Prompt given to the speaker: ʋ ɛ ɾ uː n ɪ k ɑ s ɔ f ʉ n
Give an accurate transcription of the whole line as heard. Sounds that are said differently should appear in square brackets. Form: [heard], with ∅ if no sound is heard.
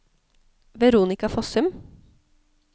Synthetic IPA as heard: ʋ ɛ ɾ uː n ɪ k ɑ [f] ɔ [s] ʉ [m]

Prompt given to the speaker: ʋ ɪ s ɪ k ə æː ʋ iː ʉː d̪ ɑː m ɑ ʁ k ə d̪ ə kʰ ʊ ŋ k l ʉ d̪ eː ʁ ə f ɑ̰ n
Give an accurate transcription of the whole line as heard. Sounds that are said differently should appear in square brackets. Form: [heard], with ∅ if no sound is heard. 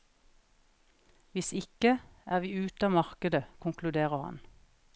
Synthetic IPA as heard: ʋ ɪ s ɪ k ə æː ʋ iː ʉː [t̪] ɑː m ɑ ʁ k ə d̪ ə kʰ ʊ ŋ k l ʉ d̪ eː ʁ ə [h] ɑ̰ n

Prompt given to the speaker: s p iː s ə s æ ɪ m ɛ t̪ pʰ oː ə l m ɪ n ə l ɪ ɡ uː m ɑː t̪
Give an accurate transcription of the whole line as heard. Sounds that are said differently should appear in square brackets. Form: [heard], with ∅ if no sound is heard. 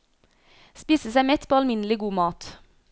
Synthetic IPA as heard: s p iː s ə s æ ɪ m ɛ t̪ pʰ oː [ɑ] l m ɪ n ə l ɪ ɡ uː m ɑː t̪

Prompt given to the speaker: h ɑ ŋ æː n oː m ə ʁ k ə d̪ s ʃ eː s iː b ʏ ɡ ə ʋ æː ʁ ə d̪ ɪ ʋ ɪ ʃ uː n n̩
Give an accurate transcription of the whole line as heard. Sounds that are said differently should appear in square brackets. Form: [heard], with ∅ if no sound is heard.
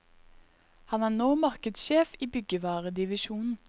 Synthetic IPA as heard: h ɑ [n] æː n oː m [ɑ] ʁ k ə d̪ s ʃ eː [f] iː b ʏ ɡ ə ʋ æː ʁ ə d̪ ɪ ʋ ɪ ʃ uː n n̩

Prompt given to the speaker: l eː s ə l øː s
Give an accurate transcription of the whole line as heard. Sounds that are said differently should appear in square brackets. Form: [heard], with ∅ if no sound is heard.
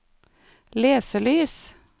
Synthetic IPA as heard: l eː s ə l [yː] s

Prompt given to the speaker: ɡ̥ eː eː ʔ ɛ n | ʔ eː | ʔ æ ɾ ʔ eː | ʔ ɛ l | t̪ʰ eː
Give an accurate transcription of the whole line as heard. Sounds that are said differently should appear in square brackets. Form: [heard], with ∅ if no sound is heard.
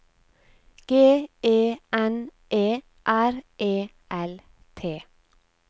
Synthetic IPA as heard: ɡ̥ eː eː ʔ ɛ n | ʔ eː | ʔ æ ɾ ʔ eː | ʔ ɛ l | t̪ʰ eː

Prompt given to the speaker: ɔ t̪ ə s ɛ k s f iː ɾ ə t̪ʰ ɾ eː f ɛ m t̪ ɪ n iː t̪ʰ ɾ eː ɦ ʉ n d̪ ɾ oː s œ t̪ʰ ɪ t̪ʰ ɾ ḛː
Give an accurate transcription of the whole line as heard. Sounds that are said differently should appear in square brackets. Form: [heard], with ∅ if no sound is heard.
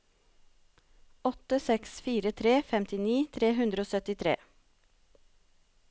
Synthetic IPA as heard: ɔ t̪ ə s ɛ k s f iː ɾ ə t̪ʰ ɾ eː f ɛ m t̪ ɪ n iː t̪ʰ ɾ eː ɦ ʉ n d̪ ɾ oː s œ [t̪] ɪ t̪ʰ ɾ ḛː

